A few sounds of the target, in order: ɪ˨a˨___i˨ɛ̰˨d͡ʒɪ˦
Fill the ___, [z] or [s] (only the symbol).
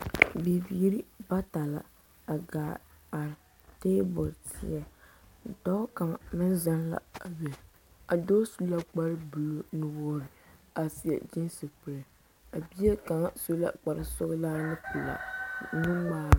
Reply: s